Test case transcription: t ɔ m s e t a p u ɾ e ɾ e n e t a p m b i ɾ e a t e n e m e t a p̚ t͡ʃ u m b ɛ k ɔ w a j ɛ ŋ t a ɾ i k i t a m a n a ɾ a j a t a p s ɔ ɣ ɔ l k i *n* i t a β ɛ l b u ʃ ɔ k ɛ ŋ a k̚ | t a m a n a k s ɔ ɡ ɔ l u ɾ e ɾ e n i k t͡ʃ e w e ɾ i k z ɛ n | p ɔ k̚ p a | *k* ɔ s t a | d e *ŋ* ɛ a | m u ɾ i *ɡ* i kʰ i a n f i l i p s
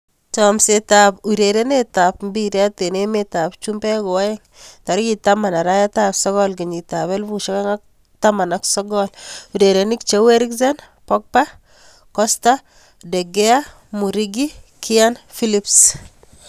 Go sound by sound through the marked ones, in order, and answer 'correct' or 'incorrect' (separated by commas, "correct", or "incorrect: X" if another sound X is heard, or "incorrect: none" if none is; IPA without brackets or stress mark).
incorrect: ɲ, correct, incorrect: ɡ, correct